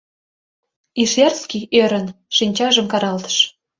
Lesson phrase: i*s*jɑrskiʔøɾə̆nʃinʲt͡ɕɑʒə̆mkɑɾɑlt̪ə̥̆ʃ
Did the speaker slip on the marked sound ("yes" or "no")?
yes